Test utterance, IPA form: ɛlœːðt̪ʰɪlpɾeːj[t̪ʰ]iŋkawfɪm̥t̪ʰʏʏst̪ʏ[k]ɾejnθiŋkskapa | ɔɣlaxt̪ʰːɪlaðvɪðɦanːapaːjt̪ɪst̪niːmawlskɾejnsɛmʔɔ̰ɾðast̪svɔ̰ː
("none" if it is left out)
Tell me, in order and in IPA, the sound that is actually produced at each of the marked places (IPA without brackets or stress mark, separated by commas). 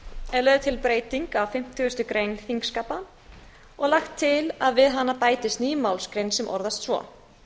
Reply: t̪, k